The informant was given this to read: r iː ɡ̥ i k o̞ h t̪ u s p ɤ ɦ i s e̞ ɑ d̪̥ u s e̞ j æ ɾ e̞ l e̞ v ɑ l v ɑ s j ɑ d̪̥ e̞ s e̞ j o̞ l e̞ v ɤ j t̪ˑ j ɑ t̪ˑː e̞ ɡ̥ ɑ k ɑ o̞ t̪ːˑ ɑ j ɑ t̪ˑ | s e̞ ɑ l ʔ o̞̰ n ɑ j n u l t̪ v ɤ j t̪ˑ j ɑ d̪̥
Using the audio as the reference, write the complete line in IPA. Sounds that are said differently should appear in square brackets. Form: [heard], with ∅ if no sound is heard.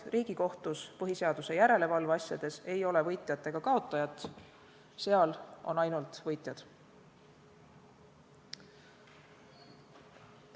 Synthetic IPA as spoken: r iː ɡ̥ i k o̞ h t̪ u s p ɤ ɦ i s e̞ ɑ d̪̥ u s e̞ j æ ɾ e̞ l e̞ v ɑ l v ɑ s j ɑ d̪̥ e̞ s e̞ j o̞ l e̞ v ɤ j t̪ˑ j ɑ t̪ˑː e̞ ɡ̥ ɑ k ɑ o̞ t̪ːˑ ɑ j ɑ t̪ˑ | s e̞ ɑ l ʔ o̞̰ n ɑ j n u l t̪ v ɤ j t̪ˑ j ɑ d̪̥

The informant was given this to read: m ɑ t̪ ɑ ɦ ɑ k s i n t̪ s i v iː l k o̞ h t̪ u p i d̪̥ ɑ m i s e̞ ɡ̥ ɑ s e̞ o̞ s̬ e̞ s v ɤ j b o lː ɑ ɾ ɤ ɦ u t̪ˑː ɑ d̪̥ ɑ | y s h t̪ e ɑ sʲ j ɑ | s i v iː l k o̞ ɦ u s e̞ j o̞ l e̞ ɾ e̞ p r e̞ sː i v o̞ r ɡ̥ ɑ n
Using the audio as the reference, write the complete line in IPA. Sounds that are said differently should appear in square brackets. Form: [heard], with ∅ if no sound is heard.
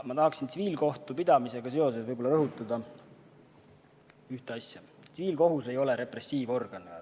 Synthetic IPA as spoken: m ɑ t̪ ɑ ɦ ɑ k s i n t̪ s i v iː l k o̞ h t̪ u p i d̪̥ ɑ m i s e̞ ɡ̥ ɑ s e̞ o̞ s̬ e̞ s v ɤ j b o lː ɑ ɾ ɤ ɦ u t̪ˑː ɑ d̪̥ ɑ | y [∅] h t̪ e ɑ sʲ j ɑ | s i v iː l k o̞ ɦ u s e̞ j o̞ l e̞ ɾ e̞ p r e̞ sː [iː] v o̞ r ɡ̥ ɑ n

